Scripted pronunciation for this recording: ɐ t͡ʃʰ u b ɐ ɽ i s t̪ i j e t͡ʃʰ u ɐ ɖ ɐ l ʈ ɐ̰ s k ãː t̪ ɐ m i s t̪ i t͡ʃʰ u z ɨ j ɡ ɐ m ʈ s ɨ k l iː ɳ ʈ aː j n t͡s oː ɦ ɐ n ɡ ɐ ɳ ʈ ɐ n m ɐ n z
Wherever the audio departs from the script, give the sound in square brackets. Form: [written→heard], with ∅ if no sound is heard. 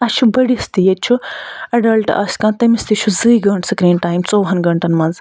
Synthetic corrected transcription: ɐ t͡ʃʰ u b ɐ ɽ i s t̪ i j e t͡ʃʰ u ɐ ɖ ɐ l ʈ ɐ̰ s k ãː t̪ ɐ m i s t̪ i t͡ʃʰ u z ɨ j ɡ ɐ [m→ɳ] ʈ s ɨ k [l→ɾ] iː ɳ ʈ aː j [n→m] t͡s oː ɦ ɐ n ɡ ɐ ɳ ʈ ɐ n m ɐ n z